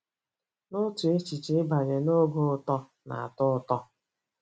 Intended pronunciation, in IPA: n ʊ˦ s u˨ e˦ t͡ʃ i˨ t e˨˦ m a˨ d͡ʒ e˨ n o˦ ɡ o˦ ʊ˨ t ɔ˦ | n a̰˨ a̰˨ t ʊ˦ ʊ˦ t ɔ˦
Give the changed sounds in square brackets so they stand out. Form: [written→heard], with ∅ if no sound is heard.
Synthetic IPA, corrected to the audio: n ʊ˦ [s→t] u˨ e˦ t͡ʃ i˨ [t→t͡ʃ] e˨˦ [m→b] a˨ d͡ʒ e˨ n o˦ ɡ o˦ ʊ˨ t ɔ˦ | n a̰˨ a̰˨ t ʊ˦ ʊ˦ t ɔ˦